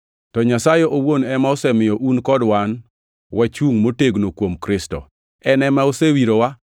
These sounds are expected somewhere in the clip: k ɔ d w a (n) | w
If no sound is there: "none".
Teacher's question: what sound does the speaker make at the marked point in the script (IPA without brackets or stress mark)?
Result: n